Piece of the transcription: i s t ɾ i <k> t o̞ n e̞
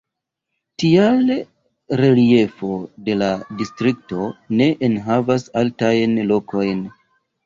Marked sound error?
no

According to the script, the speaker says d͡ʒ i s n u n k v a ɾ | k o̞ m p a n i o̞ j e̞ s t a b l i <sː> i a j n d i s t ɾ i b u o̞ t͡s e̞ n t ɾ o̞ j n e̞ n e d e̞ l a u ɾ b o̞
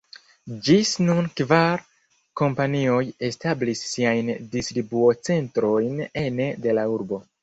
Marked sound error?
no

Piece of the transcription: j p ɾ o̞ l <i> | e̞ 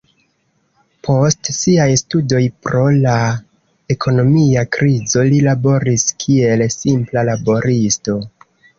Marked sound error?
yes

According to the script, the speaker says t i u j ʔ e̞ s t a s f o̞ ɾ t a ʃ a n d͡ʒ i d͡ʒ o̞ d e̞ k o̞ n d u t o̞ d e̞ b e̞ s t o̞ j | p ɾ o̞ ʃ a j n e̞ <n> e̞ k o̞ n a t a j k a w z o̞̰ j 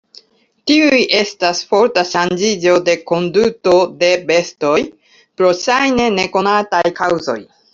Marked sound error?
no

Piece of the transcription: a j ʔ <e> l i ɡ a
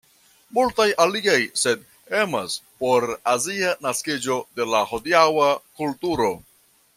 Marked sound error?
yes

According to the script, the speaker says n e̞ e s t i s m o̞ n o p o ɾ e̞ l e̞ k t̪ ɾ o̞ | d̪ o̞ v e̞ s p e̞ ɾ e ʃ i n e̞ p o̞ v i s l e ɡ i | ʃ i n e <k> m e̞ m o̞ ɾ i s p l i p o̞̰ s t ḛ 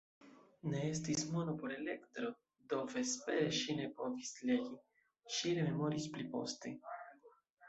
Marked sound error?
yes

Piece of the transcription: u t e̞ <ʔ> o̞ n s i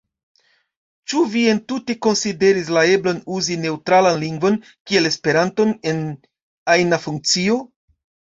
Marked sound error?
yes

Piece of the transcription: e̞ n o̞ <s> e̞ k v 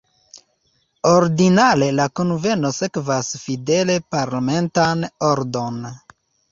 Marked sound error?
no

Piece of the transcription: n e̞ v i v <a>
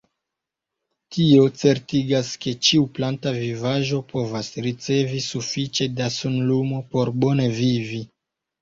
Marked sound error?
yes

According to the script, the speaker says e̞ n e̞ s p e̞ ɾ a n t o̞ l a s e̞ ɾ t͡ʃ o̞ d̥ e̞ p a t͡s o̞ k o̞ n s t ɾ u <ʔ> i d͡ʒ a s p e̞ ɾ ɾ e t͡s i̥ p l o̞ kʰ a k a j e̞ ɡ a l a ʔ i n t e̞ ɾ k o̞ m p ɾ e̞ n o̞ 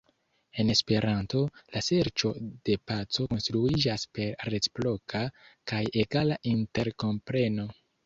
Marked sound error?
yes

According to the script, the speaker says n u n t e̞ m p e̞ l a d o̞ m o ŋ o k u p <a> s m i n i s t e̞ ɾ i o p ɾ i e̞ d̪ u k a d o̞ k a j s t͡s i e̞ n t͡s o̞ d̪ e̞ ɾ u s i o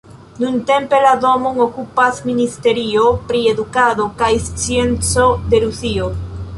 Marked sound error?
no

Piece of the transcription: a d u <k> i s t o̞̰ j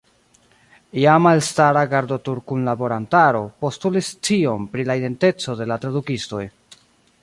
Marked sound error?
no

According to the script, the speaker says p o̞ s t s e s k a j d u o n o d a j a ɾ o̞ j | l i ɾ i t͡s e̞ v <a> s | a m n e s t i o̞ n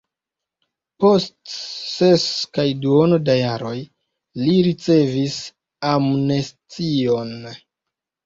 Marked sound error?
yes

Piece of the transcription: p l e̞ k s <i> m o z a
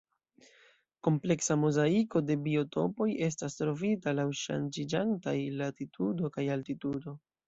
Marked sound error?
yes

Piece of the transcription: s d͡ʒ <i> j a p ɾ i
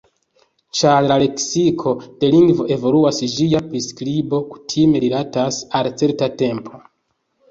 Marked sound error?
no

